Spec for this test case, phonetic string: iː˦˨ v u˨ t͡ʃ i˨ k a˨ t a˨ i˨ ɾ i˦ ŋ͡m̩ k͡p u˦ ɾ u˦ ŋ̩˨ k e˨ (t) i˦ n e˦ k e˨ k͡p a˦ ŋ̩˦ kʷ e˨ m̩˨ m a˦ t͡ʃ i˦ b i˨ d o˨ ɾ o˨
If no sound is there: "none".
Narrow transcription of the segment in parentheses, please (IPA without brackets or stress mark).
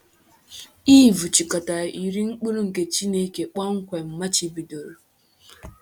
t͡ʃ